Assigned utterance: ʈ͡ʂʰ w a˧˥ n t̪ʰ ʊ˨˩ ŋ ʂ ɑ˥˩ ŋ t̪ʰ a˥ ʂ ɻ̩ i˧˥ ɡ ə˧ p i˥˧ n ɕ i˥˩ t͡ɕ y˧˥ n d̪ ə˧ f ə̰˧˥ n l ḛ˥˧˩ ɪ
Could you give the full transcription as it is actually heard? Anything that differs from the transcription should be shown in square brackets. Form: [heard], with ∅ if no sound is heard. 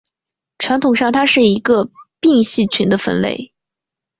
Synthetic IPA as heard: ʈ͡ʂʰ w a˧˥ n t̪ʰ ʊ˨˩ ŋ ʂ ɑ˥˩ ŋ t̪ʰ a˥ ʂ ɻ̩ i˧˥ ɡ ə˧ p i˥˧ [ŋ] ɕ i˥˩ [t͡ɕʰ] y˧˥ n d̪ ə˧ f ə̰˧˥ n l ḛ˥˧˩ ɪ